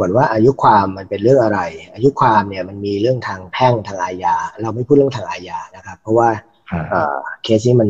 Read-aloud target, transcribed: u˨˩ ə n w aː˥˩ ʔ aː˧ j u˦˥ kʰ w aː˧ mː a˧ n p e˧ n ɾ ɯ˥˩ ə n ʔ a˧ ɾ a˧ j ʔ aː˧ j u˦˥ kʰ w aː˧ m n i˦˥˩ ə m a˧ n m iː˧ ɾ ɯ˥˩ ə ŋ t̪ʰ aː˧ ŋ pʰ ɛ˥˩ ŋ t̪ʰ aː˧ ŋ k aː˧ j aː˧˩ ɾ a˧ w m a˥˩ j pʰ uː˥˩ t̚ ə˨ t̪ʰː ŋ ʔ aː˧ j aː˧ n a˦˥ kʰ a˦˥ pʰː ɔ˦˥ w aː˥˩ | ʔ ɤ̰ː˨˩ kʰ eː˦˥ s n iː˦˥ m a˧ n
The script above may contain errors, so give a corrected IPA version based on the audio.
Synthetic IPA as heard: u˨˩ ə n w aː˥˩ ʔ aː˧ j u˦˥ kʰ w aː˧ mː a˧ n p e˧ n ɾ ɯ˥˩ ə ŋ ʔ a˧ ɾ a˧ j ʔ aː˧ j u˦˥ kʰ w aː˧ m n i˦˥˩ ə m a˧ n m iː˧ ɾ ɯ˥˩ ə ŋ t̪ʰ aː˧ ŋ pʰ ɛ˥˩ ŋ t̪ʰ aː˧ ŋ ʔ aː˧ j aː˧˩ ɾ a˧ w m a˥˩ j pʰ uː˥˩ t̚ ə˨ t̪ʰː ŋ ʔ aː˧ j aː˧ n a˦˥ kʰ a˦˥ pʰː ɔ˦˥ w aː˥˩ | ʔ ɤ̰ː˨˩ kʰ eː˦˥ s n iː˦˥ m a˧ n